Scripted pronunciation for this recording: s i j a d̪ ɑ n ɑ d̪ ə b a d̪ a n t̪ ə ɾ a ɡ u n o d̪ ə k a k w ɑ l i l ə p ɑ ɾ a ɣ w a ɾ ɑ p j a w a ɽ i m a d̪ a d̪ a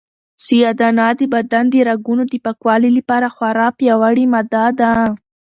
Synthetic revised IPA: s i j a d̪ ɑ n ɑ d̪ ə b a d̪ a n d̪ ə ɾ a ɡ u n o d̪ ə p a k w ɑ l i l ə p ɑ ɾ a x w a ɾ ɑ p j a w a ɽ i m a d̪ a d̪ a